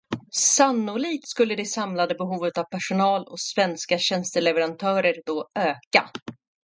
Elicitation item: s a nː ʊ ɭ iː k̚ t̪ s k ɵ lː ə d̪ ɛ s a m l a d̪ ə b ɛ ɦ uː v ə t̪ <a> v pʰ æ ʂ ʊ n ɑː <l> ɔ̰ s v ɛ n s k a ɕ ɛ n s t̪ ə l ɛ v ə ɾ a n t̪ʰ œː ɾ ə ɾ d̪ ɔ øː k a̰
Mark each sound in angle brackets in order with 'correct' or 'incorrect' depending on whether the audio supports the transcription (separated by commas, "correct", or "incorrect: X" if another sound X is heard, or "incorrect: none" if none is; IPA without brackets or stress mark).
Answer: correct, correct